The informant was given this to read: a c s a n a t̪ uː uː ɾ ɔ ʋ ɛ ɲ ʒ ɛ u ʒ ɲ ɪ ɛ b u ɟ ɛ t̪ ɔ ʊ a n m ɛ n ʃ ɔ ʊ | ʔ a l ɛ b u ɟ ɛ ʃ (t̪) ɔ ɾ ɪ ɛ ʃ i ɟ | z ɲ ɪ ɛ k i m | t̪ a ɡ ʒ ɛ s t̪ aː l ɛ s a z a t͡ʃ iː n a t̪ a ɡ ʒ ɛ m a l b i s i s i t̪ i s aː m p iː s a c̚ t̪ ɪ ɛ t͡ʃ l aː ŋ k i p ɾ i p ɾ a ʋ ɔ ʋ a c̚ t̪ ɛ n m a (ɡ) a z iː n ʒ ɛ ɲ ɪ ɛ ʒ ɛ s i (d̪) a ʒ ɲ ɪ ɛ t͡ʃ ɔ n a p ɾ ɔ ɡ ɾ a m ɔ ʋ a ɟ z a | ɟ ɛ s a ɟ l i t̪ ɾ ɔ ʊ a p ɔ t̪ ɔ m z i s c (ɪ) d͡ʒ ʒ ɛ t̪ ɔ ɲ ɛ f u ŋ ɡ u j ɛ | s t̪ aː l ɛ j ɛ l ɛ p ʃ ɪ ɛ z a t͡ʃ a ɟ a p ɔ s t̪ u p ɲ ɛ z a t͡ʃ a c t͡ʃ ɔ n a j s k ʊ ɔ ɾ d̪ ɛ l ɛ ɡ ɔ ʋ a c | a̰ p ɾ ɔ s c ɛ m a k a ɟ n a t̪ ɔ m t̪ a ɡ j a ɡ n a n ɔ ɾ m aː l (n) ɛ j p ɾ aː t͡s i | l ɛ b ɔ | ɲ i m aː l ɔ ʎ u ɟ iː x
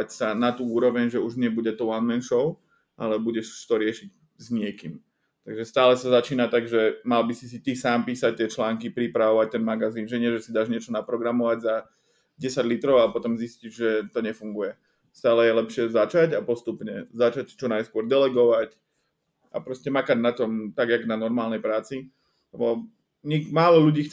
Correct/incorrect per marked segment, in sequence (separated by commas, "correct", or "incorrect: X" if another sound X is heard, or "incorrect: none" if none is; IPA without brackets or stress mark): correct, correct, correct, incorrect: i, correct